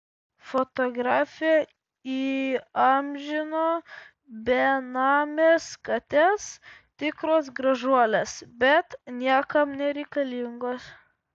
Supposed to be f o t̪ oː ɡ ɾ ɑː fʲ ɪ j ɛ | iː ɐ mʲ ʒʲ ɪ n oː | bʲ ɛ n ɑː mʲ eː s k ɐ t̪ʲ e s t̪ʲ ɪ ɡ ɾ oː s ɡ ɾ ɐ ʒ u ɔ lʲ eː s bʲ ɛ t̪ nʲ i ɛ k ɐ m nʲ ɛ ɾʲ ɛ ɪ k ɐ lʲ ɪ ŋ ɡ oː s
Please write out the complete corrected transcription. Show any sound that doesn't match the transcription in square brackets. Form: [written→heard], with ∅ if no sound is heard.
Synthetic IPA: f o t̪ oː ɡ ɾ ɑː fʲ ɪ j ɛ | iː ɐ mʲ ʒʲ ɪ n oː | bʲ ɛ n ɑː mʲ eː s k ɐ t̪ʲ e s t̪ʲ ɪ [ɡ→k] ɾ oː s ɡ ɾ ɐ ʒ u ɔ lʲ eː s bʲ ɛ t̪ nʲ i ɛ k ɐ m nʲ ɛ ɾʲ ɛ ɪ k ɐ lʲ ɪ ŋ ɡ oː s

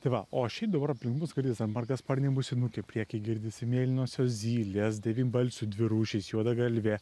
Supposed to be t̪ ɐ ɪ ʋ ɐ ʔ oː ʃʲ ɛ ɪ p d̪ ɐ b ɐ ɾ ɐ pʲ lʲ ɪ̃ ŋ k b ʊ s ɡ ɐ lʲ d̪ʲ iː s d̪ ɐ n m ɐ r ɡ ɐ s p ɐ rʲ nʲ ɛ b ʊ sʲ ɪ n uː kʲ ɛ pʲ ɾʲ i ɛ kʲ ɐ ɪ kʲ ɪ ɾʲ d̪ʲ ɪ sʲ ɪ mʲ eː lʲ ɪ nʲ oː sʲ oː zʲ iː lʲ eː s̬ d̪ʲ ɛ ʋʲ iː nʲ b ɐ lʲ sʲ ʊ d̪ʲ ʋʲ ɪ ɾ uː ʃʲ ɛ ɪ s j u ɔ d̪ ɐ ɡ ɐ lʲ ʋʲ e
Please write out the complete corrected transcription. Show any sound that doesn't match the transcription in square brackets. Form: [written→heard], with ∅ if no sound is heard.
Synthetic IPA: t̪ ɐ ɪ ʋ ɐ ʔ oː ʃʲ ɛ ɪ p d̪ ɐ b ɐ ɾ ɐ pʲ lʲ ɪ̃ ŋ k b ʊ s ɡ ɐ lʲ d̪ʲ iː s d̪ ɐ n m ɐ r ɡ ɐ s p ɐ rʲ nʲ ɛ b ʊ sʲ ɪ n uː kʲ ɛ pʲ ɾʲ i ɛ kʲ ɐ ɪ [kʲ→ɡʲ] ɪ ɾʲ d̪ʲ ɪ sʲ ɪ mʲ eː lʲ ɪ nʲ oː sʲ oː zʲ iː lʲ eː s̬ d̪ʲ ɛ ʋʲ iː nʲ b ɐ lʲ sʲ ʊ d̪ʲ ʋʲ ɪ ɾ uː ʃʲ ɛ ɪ s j u ɔ d̪ ɐ ɡ ɐ lʲ ʋʲ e

